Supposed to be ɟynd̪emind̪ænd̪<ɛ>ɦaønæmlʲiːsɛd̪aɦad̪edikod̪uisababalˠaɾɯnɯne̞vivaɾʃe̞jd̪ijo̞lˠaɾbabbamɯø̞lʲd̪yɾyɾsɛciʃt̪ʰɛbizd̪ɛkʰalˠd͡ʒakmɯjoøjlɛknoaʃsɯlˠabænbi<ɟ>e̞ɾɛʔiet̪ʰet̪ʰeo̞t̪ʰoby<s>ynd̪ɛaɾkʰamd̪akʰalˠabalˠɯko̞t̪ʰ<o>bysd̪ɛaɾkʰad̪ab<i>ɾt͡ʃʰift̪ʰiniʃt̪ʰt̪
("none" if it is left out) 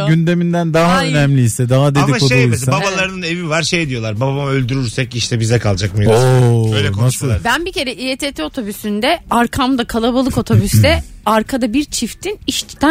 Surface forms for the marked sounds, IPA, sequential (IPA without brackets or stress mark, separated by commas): a, c, s, o, i